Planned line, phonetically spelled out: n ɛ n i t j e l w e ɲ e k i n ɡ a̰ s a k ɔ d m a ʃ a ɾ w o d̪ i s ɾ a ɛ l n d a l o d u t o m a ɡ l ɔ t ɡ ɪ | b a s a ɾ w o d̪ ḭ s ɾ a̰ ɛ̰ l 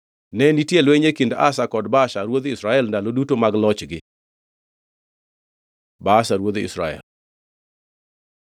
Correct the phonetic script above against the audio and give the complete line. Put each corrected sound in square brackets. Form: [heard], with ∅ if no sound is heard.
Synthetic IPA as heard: n ɛ n i t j e l w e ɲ e k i n [d] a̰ s a k ɔ d [b] a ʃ a ɾ w o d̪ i s ɾ a ɛ l n d a l o d u t o m a ɡ l ɔ [t͡ʃ] ɡ ɪ | b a s a ɾ w o d̪ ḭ s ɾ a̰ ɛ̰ l